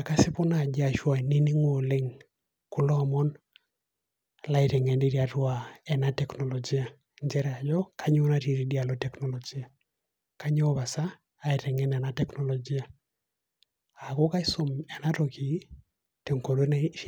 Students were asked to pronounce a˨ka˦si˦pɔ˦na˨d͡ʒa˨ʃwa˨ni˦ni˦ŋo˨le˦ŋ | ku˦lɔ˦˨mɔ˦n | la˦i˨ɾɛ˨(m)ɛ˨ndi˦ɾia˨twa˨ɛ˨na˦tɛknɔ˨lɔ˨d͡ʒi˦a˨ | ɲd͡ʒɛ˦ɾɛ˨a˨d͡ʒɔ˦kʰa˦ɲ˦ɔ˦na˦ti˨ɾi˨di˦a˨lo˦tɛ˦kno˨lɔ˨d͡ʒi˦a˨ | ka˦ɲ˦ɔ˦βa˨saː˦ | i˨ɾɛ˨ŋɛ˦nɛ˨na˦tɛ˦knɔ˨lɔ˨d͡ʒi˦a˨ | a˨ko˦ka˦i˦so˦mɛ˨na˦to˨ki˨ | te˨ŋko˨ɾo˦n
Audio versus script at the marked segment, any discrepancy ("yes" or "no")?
yes